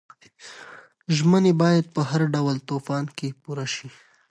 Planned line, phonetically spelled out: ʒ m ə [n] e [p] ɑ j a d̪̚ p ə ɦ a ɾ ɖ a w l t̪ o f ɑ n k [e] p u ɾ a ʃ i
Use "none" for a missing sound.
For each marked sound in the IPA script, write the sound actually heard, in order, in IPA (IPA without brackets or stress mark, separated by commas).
n, b, e